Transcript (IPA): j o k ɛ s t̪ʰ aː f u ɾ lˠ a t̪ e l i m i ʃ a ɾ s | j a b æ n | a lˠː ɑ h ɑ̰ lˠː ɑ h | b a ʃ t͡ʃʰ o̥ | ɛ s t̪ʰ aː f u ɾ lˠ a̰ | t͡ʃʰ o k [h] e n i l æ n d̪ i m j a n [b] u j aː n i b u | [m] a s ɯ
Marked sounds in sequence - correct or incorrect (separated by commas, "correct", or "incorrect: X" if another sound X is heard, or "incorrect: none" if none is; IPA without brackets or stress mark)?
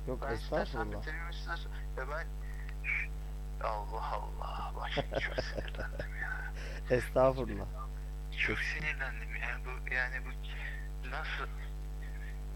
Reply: incorrect: s, correct, incorrect: n